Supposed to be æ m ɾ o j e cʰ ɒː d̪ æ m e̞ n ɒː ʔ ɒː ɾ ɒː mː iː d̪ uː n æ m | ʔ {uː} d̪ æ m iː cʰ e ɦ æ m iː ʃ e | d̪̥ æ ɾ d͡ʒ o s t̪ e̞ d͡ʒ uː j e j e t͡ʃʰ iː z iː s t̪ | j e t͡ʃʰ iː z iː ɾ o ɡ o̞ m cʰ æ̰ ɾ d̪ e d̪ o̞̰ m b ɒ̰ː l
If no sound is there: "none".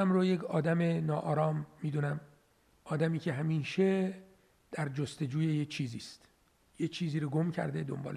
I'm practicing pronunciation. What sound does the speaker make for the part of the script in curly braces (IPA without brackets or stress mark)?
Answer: ɒː